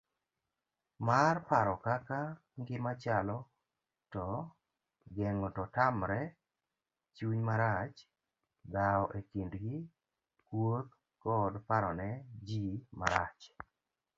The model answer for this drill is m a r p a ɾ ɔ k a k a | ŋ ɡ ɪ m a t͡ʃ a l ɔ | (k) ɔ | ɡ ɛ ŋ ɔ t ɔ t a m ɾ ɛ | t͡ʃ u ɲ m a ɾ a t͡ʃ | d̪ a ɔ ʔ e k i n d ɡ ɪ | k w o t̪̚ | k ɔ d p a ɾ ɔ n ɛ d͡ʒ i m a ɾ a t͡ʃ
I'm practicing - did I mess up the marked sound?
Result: yes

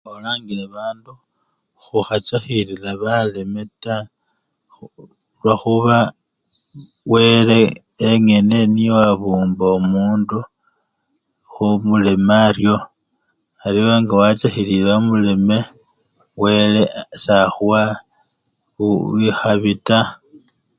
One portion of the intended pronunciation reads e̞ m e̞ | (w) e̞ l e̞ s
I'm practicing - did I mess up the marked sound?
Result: no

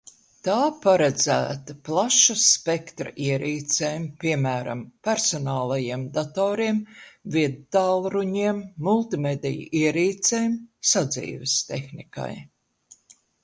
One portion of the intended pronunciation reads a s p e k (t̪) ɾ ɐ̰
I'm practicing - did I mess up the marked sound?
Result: no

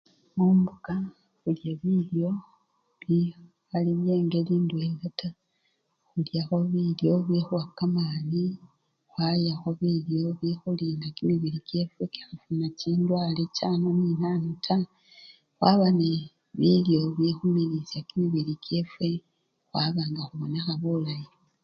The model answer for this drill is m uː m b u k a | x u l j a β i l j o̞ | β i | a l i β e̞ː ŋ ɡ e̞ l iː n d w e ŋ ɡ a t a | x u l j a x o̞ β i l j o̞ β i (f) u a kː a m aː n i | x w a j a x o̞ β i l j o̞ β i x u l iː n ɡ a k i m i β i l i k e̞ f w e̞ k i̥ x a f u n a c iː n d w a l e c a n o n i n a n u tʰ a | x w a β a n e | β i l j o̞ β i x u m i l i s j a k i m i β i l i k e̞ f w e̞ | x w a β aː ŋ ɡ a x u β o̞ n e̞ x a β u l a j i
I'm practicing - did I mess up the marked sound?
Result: yes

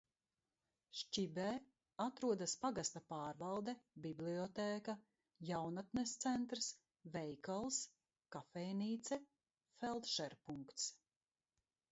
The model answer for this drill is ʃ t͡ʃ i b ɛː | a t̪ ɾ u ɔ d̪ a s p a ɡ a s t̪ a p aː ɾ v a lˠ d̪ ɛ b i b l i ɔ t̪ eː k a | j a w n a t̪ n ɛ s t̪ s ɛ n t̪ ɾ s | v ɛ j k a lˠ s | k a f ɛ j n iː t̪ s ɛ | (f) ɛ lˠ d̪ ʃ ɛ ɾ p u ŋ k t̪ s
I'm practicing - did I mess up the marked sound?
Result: no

